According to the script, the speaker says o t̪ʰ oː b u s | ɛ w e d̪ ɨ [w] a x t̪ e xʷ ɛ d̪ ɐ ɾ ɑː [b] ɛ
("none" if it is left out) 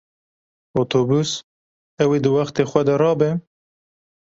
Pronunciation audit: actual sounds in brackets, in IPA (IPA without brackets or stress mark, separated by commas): w, b